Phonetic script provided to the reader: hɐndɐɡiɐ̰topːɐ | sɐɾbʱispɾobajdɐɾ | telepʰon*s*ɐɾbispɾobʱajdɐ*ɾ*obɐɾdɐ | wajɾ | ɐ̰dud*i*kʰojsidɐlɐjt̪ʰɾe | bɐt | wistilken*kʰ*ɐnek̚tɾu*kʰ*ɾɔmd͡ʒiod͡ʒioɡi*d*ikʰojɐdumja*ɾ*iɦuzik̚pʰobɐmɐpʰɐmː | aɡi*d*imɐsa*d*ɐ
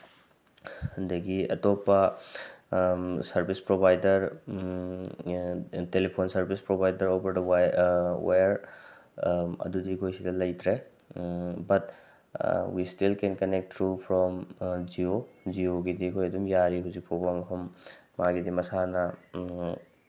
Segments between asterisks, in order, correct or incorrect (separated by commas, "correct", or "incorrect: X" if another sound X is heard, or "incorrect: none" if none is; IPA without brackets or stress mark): correct, correct, correct, incorrect: k, incorrect: pʰ, correct, correct, correct, incorrect: n